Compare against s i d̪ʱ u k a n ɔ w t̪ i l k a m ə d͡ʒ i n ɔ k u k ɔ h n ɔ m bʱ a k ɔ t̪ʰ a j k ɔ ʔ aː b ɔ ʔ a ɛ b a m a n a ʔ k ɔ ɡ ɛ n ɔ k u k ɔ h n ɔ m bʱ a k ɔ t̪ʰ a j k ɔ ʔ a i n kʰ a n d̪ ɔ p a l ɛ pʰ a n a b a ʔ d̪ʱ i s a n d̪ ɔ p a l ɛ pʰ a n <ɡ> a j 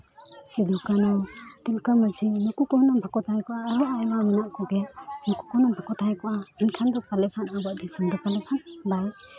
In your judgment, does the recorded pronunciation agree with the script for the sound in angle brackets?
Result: no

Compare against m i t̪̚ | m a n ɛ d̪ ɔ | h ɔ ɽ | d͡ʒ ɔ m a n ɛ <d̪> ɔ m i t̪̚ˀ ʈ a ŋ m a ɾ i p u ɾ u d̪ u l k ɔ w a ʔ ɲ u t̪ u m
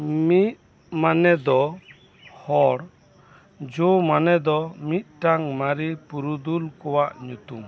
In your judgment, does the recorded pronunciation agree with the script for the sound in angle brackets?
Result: yes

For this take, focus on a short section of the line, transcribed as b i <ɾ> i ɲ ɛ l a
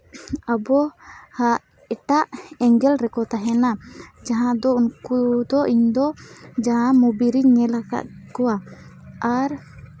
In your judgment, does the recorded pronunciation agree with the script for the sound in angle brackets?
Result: yes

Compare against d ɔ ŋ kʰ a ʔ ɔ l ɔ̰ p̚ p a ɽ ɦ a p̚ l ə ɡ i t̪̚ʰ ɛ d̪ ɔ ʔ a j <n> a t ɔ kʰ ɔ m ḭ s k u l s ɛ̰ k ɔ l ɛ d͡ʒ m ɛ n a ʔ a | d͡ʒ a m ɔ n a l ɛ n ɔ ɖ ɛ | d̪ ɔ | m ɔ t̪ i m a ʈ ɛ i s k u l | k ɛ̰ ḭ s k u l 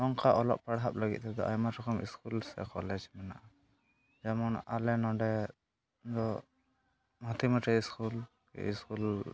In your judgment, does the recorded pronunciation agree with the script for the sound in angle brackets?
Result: no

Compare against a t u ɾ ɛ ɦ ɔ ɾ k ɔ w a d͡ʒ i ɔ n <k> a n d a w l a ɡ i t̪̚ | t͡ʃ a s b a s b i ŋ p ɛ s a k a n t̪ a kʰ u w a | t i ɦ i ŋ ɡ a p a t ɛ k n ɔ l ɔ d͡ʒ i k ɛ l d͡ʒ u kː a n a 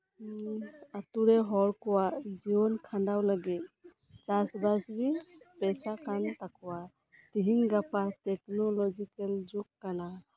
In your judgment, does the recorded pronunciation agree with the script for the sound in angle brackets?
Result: no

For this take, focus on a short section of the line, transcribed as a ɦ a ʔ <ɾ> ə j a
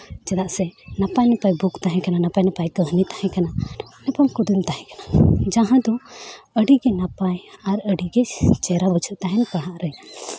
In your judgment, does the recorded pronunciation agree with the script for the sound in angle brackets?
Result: yes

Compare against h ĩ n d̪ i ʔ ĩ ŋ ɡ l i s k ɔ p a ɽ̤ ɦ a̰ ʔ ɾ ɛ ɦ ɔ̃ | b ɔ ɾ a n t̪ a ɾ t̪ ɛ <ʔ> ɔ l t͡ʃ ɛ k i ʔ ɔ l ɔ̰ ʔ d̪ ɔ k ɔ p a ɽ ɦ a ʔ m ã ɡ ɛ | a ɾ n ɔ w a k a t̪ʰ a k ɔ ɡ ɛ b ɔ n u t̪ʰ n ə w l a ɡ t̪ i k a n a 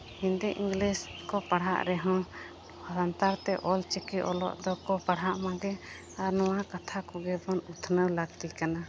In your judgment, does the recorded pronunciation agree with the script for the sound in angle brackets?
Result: yes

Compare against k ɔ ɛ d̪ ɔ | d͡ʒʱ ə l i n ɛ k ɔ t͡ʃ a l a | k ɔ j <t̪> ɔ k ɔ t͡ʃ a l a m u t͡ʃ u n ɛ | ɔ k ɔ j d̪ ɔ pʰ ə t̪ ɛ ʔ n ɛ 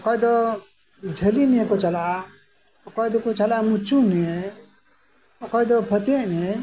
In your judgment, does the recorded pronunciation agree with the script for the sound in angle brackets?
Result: no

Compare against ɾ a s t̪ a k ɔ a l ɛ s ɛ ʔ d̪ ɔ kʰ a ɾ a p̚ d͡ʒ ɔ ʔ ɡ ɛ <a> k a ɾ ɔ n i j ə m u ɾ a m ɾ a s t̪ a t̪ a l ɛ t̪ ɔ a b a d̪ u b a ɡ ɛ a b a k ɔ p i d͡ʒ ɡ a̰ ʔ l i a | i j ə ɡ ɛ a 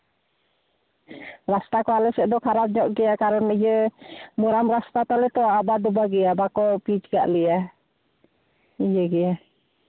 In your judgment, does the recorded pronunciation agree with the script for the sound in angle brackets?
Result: yes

